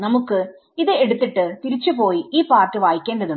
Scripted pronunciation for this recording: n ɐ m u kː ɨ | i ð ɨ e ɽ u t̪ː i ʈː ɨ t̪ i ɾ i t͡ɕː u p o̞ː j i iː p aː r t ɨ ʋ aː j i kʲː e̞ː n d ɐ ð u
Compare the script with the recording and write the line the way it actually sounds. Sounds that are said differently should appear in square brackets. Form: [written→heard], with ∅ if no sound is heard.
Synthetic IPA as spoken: n ɐ m u kː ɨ | i ð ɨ e ɽ u t̪ː i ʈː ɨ t̪ i ɾ i t͡ɕː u p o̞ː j i iː p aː r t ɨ ʋ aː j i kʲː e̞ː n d ɐ ð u